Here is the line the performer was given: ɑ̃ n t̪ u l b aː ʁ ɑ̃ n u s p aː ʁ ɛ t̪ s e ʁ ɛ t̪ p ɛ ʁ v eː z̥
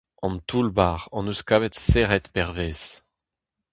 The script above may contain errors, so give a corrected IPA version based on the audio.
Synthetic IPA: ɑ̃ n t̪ u l b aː ʁ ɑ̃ n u s k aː v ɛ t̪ s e ʁ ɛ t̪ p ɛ ʁ v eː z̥